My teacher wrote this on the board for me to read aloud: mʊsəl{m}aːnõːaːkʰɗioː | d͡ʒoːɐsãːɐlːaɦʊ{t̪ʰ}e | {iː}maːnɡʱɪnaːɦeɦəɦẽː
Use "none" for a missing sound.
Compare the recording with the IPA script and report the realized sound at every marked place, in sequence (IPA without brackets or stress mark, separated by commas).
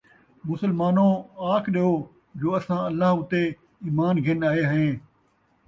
m, t̪, iː